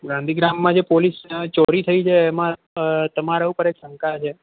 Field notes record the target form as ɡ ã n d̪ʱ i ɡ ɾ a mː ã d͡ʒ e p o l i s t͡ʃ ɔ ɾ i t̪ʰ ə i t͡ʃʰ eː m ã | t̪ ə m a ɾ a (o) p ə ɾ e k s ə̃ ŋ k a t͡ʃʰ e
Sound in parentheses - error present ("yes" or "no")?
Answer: yes